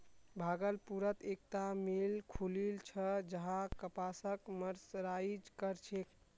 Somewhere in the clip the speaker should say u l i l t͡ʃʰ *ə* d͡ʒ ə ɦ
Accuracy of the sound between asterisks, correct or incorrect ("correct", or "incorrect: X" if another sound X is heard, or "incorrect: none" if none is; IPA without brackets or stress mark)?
correct